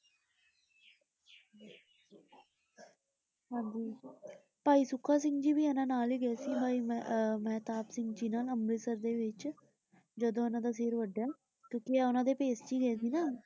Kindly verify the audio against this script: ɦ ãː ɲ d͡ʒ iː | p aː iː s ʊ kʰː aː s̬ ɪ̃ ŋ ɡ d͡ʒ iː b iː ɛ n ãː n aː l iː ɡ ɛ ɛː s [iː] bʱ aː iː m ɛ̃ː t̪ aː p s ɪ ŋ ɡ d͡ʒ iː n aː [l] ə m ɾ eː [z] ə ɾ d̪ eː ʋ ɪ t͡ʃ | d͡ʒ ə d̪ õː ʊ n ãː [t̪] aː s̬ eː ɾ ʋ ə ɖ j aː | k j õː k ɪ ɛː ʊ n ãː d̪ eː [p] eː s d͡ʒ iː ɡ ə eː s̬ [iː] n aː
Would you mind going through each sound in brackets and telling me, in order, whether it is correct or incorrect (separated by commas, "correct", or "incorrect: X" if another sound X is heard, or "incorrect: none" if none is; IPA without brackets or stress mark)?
correct, correct, incorrect: s, incorrect: d̪, correct, correct